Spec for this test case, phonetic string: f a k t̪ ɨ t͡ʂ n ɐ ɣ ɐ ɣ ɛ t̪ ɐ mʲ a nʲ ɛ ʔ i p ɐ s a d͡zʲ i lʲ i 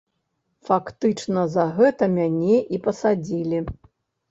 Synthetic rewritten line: f a k t̪ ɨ t͡ʂ n ɐ z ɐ ɣ ɛ t̪ ɐ mʲ a nʲ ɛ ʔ i p ɐ s a d͡zʲ i lʲ i